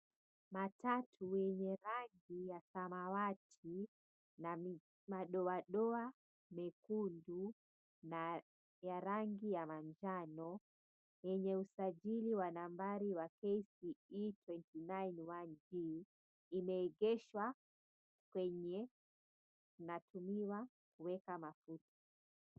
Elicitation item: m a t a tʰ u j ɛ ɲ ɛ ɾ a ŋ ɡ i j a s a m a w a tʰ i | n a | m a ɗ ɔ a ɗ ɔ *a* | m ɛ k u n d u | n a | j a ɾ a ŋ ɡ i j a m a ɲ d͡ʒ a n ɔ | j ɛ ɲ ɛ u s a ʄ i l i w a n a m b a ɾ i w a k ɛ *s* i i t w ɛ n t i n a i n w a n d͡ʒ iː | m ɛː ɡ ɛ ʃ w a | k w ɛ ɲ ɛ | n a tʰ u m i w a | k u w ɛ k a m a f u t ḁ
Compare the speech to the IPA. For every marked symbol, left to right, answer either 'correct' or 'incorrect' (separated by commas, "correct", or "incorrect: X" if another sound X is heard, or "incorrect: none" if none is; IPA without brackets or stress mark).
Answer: correct, correct